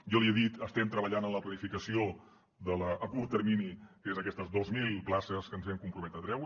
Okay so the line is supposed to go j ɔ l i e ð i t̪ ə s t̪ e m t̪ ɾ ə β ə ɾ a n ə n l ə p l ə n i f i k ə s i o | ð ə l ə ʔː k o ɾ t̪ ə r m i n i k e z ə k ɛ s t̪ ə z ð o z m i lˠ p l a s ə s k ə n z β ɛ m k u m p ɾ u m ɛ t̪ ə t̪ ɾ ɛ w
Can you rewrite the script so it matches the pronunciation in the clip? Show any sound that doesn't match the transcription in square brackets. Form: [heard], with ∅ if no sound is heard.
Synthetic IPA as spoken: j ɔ l i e ð i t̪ ə s t̪ [ɛ] m t̪ ɾ ə β ə [ʎ] a n ə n l ə p l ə n i f i k ə s i o | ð ə l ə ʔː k [u] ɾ t̪ ə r m i n i k e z ə k ɛ s t̪ ə z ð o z m i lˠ p l a s ə s k ə n z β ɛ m k u m p ɾ u m ɛ t̪ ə t̪ ɾ ɛ w